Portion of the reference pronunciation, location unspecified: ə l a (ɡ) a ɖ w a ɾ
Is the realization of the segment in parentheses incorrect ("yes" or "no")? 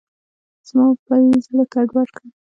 yes